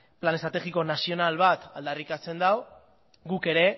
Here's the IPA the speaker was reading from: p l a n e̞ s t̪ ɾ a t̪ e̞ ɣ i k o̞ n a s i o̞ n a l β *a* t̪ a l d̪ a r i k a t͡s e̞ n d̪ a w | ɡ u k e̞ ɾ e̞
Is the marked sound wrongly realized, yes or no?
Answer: no